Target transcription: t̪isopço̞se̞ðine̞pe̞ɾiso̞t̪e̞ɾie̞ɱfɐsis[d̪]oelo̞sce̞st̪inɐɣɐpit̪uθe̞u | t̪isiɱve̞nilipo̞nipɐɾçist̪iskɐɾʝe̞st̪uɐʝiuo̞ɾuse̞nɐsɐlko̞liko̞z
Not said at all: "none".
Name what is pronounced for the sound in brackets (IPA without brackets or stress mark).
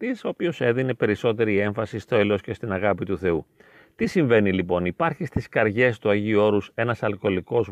t̪